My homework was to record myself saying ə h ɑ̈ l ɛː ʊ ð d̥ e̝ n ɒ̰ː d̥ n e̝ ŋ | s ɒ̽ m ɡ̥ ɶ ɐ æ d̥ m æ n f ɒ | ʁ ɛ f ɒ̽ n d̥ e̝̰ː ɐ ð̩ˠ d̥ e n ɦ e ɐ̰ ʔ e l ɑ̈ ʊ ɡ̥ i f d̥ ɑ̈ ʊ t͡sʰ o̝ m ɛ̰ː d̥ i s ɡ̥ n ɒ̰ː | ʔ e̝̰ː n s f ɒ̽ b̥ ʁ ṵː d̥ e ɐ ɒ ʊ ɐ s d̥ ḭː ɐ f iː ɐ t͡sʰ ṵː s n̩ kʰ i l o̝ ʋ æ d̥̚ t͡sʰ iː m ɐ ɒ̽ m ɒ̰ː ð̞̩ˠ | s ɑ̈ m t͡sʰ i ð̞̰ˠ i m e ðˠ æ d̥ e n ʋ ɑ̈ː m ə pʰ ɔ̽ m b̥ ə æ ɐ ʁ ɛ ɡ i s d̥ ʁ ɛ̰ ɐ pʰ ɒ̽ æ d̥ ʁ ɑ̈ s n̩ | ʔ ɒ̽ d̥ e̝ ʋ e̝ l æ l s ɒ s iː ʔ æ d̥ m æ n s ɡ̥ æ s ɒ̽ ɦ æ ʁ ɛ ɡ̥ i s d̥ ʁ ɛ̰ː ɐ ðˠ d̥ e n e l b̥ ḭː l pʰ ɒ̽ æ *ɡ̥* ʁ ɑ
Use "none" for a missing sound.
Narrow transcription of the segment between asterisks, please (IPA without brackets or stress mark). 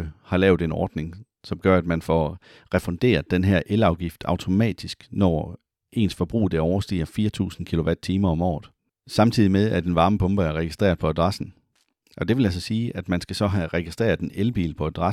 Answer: d̥